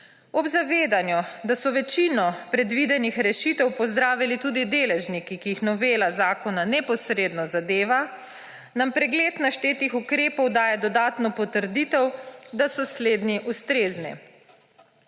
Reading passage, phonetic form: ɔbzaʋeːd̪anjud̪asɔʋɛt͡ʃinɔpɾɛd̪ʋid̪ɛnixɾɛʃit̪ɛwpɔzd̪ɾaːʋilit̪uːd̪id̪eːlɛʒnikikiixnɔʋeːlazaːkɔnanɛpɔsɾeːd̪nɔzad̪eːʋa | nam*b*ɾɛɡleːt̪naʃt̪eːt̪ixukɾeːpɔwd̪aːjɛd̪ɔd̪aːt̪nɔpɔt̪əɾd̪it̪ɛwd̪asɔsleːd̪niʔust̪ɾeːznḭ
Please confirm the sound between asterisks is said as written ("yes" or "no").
no